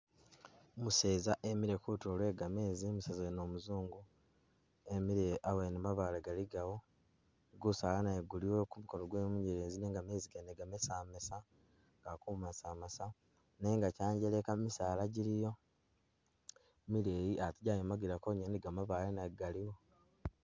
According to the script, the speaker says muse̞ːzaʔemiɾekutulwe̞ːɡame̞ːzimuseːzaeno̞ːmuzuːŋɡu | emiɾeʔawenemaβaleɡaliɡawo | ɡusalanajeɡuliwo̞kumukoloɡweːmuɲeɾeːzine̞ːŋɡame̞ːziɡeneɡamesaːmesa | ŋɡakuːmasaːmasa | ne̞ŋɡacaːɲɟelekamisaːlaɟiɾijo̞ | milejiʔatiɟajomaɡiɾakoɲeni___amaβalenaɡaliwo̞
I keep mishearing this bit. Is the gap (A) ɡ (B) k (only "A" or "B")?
A